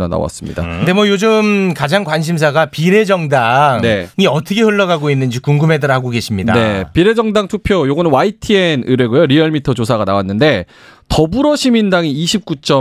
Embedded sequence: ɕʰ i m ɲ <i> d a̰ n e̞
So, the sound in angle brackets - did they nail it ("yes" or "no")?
yes